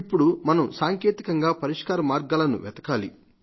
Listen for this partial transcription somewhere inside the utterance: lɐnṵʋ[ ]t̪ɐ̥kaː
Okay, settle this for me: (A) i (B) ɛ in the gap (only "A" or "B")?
B